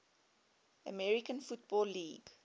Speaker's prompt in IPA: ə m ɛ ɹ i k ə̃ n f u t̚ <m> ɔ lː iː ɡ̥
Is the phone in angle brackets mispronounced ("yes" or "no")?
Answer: yes